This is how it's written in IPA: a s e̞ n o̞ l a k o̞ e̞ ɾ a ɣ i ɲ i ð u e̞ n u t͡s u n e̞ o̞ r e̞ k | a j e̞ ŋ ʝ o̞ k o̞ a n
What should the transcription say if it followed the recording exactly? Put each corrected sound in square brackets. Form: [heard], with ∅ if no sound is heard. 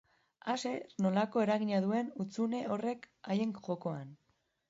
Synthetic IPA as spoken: a s e̞ n o̞ l a k o̞ e̞ ɾ a ɣ i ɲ [a] ð u e̞ n u t͡s u n e̞ o̞ r e̞ k | a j e̞ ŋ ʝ o̞ k o̞ a n

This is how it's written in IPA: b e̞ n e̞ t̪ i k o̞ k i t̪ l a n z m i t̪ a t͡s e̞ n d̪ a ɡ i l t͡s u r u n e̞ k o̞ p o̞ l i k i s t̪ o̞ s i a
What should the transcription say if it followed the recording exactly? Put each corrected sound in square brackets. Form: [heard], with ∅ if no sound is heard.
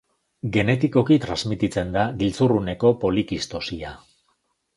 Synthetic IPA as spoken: [ɡ] e̞ n e̞ t̪ i k o̞ k i t̪ [ɾ] a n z m i t̪ [i] t͡s e̞ n d̪ a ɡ i l t͡s u r u n e̞ k o̞ p o̞ l i k i s t̪ o̞ s i a

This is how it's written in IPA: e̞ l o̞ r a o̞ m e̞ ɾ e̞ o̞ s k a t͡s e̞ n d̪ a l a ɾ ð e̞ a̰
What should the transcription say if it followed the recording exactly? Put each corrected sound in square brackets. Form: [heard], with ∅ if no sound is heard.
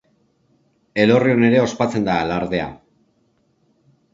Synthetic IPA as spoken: e̞ l o̞ r [i] o̞ [n] e̞ ɾ e̞ o̞ s [p] a t͡s e̞ n d̪ a l a ɾ ð e̞ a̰

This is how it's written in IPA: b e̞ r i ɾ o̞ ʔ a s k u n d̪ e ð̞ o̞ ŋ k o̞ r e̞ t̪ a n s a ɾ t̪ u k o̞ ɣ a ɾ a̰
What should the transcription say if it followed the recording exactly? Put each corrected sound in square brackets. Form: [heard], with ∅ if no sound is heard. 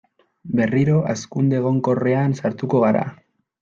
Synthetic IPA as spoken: b e̞ r i ɾ o̞ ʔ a s k u n d̪ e [ɣ̞] o̞ ŋ k o̞ r e̞ [∅] a n s a ɾ t̪ u k o̞ ɣ a ɾ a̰

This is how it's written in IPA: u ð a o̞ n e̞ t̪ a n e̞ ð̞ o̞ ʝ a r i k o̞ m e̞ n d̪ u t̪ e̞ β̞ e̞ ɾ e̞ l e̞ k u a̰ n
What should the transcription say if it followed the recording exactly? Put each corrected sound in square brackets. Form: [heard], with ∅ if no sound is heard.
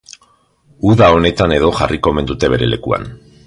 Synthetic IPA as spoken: u ð a o̞ n e̞ t̪ a n e̞ ð̞ o̞ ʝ a r i k o̞ m e̞ n d̪ u t̪ e̞ β̞ e̞ ɾ e̞ l e̞ k u a̰ n

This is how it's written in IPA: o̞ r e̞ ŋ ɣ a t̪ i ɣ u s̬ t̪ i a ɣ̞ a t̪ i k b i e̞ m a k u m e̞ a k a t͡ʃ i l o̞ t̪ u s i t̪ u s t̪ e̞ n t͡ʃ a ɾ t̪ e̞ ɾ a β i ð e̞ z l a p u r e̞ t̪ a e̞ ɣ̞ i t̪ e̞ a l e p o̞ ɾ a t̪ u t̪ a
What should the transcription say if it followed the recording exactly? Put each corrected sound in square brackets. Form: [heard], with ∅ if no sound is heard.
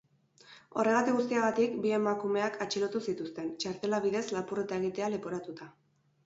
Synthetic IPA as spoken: o̞ r e̞ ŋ ɣ a t̪ i ɣ u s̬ t̪ i a ɣ̞ a t̪ i k b i e̞ m a k u m e̞ a k a t͡ʃ i l o̞ t̪ u s i t̪ u s t̪ e̞ n t͡ʃ a ɾ t̪ e̞ [l] a β i ð e̞ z l a p u r e̞ t̪ a e̞ ɣ̞ i t̪ e̞ a l e p o̞ ɾ a t̪ u t̪ a

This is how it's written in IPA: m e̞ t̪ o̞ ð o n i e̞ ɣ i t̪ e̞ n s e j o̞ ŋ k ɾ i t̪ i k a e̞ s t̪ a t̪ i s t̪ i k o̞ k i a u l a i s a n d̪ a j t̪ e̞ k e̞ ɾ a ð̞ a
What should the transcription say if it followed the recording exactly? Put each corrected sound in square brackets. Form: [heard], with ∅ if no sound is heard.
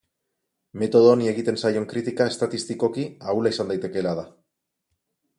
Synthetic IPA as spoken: m e̞ t̪ o̞ ð o n i e̞ ɣ i t̪ e̞ n s [a] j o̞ ŋ k ɾ i t̪ i k a e̞ s t̪ a t̪ i s t̪ i k o̞ k i a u l a i s a n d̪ a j t̪ e̞ k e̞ [l] a ð̞ a

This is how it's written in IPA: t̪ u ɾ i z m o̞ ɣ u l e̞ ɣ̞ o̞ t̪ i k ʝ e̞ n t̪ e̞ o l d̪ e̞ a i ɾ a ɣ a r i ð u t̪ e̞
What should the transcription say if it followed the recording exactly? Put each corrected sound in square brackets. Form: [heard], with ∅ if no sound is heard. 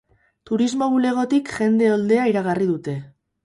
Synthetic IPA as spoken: t̪ u ɾ i z m o̞ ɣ u l e̞ ɣ̞ o̞ t̪ i k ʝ e̞ n [d̪] e̞ o l d̪ e̞ a i ɾ a ɣ a r i ð u t̪ e̞

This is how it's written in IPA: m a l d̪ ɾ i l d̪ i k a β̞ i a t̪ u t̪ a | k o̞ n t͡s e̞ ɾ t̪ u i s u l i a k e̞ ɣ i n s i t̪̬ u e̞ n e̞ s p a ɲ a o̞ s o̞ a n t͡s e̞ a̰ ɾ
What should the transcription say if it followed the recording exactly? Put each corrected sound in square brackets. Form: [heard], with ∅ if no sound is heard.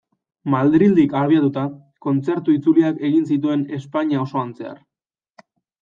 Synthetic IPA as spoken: m a l d̪ ɾ i l d̪ i k a β̞ i a t̪ u t̪ a | k o̞ n t͡s e̞ ɾ t̪ u i [t͡s] u l i a k e̞ ɣ i n s i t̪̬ u e̞ n e̞ s p a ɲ a o̞ s o̞ a n t͡s e̞ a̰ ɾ

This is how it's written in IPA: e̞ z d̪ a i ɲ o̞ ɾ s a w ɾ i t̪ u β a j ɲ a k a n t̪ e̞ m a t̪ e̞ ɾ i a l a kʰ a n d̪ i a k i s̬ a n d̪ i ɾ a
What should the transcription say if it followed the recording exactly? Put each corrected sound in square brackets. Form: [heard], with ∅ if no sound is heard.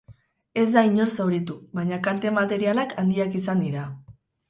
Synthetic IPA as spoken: e̞ z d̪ a i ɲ o̞ ɾ s a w ɾ i t̪ u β a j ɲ a k a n t̪ e̞ m a t̪ e̞ ɾ i a l a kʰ a n d̪ i a k i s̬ a n d̪ i ɾ a

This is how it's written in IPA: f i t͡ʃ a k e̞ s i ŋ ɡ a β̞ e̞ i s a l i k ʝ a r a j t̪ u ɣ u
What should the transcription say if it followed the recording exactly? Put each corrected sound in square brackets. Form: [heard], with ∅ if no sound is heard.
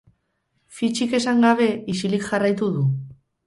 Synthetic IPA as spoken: f i t͡ʃ [i] k e̞ s [a] ŋ ɡ a β̞ e̞ i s [i] l i k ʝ a r a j t̪ u [ð] u

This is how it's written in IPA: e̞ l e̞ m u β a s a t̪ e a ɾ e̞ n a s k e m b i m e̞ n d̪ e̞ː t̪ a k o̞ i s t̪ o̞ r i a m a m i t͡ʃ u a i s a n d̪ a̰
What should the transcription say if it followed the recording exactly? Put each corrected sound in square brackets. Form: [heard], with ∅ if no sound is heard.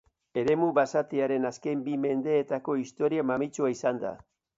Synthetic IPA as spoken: e̞ [ɾ] e̞ m u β a s a t̪ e a ɾ e̞ n a s k e m b i m e̞ n d̪ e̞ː t̪ a k o̞ i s t̪ o̞ [ɾ] i a m a m i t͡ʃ u a i s a n d̪ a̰

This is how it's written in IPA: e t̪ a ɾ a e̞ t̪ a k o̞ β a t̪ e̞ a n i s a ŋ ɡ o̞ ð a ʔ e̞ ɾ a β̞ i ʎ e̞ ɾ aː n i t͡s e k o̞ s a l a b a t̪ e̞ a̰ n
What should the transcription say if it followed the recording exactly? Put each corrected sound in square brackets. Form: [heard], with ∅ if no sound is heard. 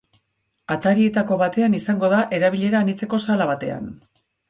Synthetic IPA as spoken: [a] t̪ a ɾ [i] e̞ t̪ a k o̞ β a t̪ e̞ a n i s a ŋ ɡ o̞ ð a ʔ e̞ ɾ a β̞ i ʎ e̞ ɾ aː n i t͡s e k o̞ s a l a [β] a t̪ e̞ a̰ n

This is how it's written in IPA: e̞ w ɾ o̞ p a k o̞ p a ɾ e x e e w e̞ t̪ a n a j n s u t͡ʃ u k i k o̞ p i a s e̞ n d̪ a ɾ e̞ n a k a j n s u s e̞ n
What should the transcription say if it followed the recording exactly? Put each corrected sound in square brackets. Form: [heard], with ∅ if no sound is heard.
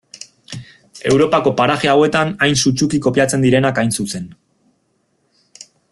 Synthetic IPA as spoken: e̞ w ɾ o̞ p a k o̞ p a ɾ [a] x e [a] w e̞ t̪ a n a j n s u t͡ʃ u k i k o̞ p i a [t͡s] e̞ n d̪ [i] ɾ e̞ n a k a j n s u s e̞ n

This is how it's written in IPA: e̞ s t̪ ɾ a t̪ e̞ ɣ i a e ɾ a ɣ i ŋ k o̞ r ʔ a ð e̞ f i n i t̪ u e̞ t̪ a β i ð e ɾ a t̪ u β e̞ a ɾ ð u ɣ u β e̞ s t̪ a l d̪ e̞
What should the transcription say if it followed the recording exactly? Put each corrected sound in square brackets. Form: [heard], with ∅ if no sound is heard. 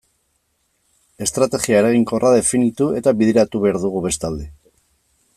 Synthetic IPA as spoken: e̞ s t̪ ɾ a t̪ e̞ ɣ i a e ɾ a ɣ i ŋ k o̞ r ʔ a ð e̞ f i n i t̪ u e̞ t̪ a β i ð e ɾ a t̪ u β e̞ a ɾ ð u ɣ u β e̞ s t̪ a l d̪ e̞

